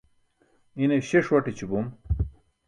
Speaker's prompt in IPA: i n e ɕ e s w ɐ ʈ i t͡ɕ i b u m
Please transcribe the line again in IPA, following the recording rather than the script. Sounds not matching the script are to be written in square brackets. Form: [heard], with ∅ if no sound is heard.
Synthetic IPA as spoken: i n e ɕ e [ʂ] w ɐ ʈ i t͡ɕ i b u m